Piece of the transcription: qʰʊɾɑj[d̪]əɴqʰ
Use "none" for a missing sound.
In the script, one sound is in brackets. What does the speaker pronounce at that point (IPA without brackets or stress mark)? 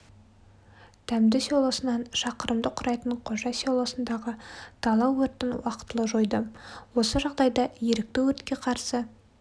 t̪